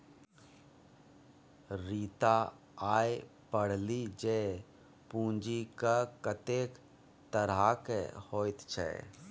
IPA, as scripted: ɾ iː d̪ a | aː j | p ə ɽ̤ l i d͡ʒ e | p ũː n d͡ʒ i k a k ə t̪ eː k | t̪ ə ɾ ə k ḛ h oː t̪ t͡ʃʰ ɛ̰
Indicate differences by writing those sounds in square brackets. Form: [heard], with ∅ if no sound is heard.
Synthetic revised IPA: ɾ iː [t̪] a | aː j | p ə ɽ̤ l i d͡ʒ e | p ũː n d͡ʒ i k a k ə t̪ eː k | t̪ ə ɾ [a] k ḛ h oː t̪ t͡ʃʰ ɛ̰